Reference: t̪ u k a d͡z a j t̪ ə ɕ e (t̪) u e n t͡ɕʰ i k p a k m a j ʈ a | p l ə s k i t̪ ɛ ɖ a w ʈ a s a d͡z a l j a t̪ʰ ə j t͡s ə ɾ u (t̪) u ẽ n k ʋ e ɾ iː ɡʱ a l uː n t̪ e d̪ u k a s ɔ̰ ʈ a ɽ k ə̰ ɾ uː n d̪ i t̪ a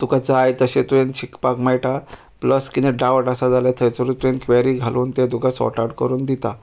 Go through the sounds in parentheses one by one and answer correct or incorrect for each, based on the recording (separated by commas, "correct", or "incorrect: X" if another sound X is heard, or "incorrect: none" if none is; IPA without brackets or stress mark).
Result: correct, correct